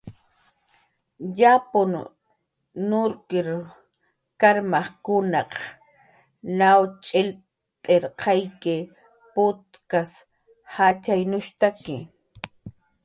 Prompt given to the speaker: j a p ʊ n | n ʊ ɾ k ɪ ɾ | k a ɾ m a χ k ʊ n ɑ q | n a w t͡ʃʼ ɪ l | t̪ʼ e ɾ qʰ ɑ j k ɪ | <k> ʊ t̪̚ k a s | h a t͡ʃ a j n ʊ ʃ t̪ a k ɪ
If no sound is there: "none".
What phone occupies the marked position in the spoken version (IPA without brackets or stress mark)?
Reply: p